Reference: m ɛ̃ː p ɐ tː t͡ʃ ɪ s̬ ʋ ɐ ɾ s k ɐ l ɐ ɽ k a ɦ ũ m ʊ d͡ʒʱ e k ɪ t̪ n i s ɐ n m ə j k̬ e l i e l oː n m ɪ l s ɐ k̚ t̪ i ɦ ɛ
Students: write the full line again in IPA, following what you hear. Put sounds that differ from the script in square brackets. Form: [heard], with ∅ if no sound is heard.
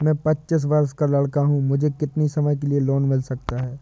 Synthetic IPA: m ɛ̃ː p ɐ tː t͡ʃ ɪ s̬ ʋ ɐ ɾ s k [a] l ɐ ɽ k a ɦ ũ m ʊ d͡ʒʱ e k ɪ t̪ n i s ɐ [∅] m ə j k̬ e l i e l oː n m ɪ l s ɐ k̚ t̪ [a] ɦ [ɛː]